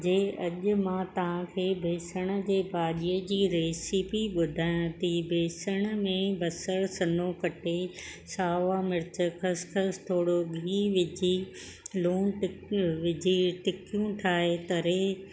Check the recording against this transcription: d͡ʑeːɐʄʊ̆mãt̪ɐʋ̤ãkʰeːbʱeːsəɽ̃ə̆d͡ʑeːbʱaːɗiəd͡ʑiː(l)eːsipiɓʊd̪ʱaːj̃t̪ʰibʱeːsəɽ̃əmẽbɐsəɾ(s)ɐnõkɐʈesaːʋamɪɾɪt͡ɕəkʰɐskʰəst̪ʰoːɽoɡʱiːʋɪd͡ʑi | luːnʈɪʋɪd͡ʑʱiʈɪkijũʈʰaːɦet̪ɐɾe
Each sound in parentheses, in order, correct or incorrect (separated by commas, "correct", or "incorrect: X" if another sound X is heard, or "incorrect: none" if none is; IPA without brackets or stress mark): incorrect: ɾ, correct